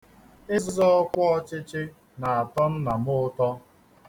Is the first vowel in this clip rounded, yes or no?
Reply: no